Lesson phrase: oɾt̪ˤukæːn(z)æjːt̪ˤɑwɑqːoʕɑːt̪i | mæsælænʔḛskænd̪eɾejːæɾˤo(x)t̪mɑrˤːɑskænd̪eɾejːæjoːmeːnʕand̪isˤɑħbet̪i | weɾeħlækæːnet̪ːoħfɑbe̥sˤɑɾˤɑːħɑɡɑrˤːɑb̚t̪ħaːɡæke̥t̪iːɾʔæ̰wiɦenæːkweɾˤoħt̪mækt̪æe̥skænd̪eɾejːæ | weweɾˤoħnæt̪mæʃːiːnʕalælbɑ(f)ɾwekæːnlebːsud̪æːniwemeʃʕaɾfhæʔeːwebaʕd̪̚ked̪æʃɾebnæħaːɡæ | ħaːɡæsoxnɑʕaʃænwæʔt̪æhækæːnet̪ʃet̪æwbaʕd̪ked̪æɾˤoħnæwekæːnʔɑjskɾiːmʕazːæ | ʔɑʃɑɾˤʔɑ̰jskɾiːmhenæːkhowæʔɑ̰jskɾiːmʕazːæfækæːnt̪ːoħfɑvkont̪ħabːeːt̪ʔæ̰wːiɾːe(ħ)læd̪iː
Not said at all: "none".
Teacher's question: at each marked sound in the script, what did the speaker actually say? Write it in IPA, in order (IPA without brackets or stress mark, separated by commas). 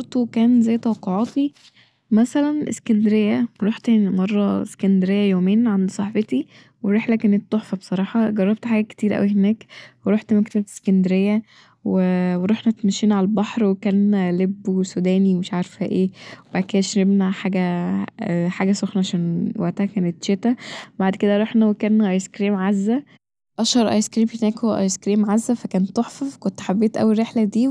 z, ħ, ħ, ħ